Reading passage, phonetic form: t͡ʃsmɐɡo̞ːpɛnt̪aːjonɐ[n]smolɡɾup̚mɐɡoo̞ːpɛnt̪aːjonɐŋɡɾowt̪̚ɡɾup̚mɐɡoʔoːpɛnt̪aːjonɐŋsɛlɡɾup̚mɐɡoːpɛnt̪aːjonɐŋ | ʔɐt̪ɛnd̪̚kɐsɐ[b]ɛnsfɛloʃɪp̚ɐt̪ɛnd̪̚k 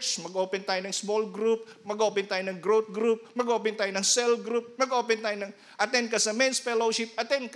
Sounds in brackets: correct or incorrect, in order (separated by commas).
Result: incorrect, incorrect